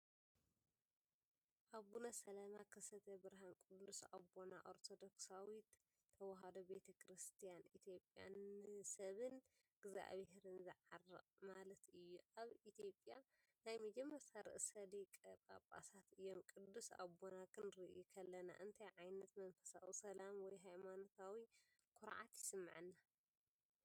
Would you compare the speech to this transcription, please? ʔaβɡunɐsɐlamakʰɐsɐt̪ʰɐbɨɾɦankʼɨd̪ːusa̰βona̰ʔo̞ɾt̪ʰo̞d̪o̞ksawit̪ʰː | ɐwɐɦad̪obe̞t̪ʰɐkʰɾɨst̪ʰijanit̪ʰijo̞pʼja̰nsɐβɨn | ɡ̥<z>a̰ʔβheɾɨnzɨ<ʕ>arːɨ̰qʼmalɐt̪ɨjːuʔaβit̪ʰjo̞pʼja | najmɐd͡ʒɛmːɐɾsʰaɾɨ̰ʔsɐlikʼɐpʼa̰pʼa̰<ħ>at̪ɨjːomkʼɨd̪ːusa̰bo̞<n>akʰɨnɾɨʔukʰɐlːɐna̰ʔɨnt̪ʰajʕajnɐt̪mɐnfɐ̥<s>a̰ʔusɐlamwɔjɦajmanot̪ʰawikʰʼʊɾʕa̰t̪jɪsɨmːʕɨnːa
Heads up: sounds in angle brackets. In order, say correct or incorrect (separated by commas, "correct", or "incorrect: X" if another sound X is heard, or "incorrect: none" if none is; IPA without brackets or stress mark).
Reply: correct, correct, incorrect: s, correct, correct